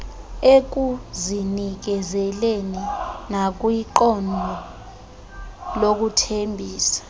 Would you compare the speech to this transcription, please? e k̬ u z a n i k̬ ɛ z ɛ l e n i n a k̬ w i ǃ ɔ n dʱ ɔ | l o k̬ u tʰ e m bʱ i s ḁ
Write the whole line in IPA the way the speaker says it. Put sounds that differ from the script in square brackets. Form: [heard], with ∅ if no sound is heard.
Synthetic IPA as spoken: e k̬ u z [i] n i k̬ ɛ z ɛ l e n i n a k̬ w i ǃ ɔ n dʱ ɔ | l o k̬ u tʰ e m bʱ [iː] s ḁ